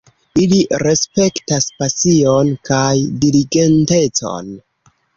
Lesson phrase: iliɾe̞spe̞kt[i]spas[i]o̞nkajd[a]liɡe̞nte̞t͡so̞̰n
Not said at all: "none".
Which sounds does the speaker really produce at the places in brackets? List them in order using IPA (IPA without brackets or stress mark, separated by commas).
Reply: a, i, i